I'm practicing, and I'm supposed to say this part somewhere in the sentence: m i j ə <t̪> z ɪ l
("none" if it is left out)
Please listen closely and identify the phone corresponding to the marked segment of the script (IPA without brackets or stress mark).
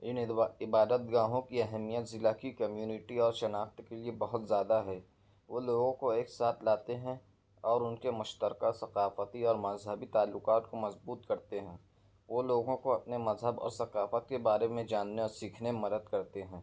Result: t̪